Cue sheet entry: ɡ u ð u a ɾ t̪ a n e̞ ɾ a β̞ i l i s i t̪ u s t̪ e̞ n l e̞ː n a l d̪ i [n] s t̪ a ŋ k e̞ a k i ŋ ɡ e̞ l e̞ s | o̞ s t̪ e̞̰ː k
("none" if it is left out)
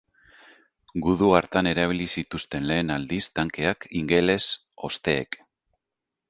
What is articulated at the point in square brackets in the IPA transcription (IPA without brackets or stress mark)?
none